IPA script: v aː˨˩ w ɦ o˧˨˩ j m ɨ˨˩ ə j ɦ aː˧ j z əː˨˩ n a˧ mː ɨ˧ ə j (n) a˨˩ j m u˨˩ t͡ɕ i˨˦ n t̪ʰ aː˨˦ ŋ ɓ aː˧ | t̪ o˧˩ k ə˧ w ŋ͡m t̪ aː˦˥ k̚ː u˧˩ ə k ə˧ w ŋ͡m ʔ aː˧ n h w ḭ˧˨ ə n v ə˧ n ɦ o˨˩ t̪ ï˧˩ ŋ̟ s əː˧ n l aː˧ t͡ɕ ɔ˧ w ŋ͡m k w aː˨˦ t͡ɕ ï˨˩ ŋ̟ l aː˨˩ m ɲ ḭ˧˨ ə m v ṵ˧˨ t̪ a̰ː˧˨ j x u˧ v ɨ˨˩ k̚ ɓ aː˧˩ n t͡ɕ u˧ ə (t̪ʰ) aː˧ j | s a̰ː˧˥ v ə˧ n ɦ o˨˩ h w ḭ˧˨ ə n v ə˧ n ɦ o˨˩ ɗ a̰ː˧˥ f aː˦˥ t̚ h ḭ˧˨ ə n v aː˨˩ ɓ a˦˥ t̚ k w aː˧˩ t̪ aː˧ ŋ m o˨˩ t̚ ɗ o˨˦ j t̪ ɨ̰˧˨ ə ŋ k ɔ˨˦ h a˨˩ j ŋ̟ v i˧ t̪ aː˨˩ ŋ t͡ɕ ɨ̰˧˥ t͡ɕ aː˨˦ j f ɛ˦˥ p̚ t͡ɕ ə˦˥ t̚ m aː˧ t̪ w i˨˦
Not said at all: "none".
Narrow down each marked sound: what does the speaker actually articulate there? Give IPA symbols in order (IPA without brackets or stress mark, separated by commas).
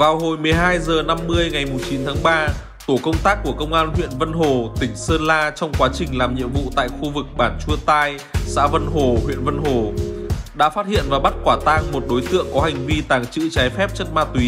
ŋ, t̪